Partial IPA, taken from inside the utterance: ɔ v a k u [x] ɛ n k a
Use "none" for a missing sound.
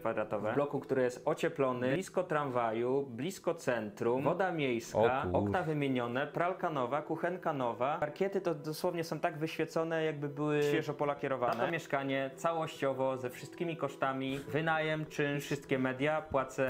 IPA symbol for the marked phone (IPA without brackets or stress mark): x